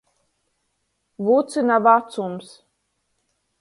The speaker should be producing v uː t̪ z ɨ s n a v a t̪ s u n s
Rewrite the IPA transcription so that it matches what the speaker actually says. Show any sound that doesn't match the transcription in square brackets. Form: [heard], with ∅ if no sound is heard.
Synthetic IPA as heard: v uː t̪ [s] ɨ [∅] n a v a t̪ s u [m] s